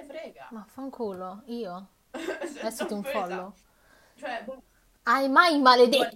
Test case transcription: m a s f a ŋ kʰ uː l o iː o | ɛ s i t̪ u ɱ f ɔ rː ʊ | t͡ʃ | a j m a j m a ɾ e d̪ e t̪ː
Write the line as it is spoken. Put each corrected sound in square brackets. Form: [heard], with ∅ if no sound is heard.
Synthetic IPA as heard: m a [∅] f a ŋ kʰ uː l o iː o | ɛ s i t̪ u ɱ f ɔ [lː] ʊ | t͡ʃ | a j m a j m a [l] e d̪ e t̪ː